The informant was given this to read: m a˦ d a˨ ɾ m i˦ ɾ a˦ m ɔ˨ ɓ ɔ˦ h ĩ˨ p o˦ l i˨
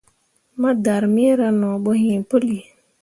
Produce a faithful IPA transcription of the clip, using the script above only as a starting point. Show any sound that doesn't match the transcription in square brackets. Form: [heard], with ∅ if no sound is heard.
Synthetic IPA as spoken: m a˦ d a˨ ɾ m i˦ ɾ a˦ [n] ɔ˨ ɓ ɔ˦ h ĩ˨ p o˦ l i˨